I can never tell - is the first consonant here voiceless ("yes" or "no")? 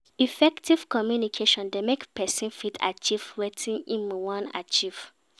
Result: yes